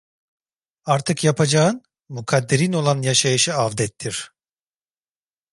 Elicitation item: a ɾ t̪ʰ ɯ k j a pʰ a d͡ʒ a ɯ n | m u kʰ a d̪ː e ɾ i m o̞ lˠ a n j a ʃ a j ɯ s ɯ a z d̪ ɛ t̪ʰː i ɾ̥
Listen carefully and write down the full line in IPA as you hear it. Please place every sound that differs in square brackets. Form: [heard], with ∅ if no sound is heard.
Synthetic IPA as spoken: a ɾ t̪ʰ ɯ k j a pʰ a d͡ʒ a ɯ n | m u kʰ a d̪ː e ɾ i [n] o̞ lˠ a n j a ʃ a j ɯ [ʃ] ɯ a [v] d̪ ɛ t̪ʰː i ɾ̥